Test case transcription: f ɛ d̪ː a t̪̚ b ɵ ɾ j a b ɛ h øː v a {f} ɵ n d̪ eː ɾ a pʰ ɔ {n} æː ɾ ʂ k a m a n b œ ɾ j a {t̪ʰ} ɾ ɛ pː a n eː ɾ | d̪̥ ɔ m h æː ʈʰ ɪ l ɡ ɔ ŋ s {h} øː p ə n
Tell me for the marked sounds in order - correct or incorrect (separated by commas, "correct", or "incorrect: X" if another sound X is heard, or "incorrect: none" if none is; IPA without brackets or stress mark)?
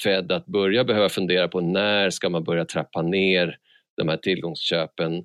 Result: correct, correct, correct, incorrect: ɕ